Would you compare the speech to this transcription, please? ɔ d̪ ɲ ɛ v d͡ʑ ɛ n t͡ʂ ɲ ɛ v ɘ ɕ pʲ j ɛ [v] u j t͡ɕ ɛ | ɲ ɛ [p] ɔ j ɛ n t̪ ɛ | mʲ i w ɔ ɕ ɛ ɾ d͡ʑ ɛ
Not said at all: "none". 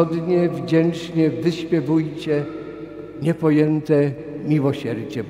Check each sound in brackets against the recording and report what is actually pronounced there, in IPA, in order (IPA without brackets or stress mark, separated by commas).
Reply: v, p